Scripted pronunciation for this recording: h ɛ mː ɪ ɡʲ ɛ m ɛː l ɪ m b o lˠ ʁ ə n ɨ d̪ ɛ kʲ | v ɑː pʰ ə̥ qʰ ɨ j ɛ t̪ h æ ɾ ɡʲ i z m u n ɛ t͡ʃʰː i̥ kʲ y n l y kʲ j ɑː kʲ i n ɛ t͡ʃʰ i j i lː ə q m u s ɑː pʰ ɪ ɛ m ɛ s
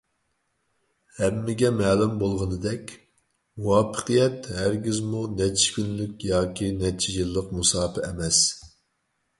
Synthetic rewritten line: h ɛ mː ɪ ɡʲ ɛ m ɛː l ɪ m b o lˠ ʁ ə n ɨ d̪ ɛ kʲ | w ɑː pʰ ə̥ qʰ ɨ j ɛ t̪ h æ ɾ ɡʲ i z m u n ɛ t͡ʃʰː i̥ kʲ y n l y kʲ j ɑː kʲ i n ɛ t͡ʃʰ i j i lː ə q m u s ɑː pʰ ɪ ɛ m ɛ s